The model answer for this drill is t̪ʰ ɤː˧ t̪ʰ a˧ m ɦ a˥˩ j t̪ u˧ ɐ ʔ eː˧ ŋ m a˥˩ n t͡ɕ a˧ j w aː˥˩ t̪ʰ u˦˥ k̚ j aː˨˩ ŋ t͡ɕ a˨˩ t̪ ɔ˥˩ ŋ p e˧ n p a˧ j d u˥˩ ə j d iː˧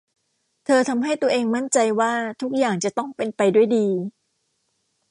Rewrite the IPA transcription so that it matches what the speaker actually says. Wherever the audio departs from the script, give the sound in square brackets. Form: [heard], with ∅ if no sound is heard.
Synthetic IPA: t̪ʰ ɤː˧ t̪ʰ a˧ m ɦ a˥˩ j t̪ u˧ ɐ ʔ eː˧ ŋ m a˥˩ n t͡ɕ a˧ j w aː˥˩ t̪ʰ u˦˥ k̚ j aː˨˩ ŋ t͡ɕ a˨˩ t̪ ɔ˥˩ ŋ p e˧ n p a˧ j d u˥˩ ə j d iː˧